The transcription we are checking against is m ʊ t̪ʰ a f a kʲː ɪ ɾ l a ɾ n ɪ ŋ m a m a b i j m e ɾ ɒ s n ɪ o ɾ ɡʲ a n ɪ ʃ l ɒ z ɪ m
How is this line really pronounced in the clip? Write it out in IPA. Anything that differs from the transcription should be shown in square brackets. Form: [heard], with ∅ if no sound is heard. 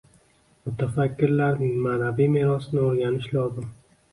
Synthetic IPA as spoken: m ʊ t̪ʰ a f a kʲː ɪ ɾ l a ɾ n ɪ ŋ m a [n] a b i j m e ɾ ɒ s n ɪ o ɾ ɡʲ a n ɪ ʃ l ɒ z ɪ m